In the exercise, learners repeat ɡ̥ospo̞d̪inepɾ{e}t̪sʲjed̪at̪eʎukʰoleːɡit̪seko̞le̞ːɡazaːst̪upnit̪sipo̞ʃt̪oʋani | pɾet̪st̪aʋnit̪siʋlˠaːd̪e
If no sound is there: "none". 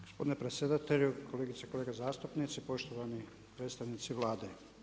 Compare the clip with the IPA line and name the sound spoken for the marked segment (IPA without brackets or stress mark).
e